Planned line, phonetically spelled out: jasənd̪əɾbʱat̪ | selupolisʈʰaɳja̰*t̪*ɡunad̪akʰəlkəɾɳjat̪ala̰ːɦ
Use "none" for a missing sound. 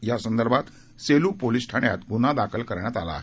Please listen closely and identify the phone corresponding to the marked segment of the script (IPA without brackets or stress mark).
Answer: t̪